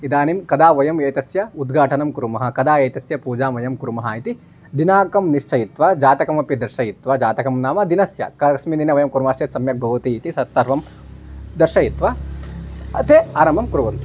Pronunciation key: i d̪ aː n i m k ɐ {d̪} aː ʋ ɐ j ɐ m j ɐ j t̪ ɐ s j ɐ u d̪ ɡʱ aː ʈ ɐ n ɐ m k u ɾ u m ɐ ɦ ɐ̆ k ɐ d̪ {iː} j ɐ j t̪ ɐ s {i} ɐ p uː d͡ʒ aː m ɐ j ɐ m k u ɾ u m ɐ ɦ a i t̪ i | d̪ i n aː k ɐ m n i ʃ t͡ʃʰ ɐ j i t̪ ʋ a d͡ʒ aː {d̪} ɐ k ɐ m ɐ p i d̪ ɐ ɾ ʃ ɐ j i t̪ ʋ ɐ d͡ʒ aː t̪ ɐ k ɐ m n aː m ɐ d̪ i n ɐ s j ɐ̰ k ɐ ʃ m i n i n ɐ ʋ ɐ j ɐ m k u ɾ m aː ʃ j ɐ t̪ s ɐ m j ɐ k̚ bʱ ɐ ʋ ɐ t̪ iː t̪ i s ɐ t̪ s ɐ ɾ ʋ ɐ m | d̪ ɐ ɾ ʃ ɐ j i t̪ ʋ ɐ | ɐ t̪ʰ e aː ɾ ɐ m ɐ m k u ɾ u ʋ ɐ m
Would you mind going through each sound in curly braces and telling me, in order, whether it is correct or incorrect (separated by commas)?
correct, incorrect, incorrect, incorrect